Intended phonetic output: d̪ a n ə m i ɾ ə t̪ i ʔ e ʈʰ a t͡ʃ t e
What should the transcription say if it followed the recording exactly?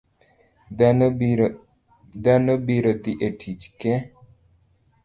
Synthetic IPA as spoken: d̪ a n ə b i ɾ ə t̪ i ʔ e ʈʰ i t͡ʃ k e